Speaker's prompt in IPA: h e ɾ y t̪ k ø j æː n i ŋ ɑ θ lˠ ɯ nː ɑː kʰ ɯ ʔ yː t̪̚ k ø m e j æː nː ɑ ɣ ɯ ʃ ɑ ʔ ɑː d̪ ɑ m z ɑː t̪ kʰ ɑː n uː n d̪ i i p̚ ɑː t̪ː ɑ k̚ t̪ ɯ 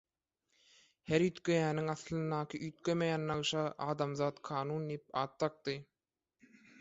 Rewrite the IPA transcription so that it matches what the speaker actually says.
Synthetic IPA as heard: h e ɾ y t̪ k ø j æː n i ŋ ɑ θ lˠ ɯ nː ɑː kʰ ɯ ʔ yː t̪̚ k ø m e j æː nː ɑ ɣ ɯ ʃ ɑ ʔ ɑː d̪ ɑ m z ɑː t̪ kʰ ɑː n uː n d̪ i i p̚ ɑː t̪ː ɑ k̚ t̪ ɯ

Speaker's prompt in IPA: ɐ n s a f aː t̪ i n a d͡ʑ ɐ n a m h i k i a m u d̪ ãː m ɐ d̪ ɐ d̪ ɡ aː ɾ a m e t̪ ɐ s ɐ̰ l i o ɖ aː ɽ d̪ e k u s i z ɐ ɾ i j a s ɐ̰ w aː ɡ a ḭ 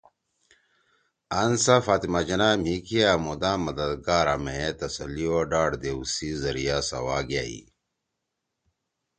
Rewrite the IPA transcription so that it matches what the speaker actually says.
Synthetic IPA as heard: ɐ n s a f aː t̪ i m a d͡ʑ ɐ n a m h i k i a m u d̪ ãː m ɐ d̪ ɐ d̪ ɡ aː ɾ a m e t̪ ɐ s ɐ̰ l i o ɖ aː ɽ d̪ e u s i z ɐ ɾ i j a s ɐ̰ w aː ɡ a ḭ

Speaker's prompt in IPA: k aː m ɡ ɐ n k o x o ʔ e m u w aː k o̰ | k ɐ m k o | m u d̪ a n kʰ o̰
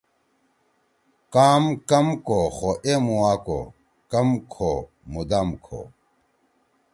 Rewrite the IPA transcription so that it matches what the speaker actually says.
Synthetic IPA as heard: k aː m k ɐ m k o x o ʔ e m u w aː k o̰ | k ɐ m kʰ o | m u d̪ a m kʰ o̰

